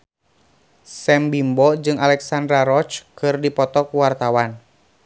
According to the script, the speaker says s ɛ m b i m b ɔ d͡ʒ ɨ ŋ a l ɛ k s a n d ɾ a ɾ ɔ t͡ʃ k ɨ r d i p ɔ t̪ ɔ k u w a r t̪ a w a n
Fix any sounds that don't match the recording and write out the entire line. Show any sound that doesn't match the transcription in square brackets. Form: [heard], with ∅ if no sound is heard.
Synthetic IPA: s ɛ m b i m b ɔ d͡ʒ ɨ ŋ a l ɛ k s a n d ɾ a ɾ ɔ t͡ʃ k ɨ r d i p ɔ t̪ ɔ k u w a r t̪ a w a n